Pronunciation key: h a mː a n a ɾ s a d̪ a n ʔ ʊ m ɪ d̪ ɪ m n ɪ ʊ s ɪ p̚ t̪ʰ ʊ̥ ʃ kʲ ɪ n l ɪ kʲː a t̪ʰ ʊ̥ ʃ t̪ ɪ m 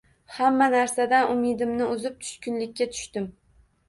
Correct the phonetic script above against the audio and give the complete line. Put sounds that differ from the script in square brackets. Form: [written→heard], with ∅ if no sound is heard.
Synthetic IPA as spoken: h a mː a n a ɾ s a d̪ a n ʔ ʊ m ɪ d̪ ɪ m n ɪ ʊ [s→z] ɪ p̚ t̪ʰ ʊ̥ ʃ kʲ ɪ n l ɪ kʲː a t̪ʰ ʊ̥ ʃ t̪ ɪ m